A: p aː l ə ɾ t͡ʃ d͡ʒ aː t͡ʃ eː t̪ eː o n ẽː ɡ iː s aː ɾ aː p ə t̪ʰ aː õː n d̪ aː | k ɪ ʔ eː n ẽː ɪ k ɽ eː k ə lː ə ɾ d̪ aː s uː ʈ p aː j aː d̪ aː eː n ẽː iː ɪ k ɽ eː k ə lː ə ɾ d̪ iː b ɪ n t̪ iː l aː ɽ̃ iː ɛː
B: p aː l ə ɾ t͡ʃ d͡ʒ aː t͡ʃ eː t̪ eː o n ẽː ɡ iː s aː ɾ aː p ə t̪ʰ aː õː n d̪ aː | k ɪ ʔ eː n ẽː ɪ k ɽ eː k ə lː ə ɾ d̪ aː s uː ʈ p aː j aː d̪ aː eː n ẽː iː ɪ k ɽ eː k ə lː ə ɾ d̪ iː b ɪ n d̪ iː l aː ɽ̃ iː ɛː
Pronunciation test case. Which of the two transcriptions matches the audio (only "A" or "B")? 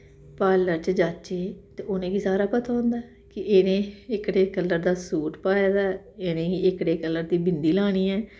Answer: B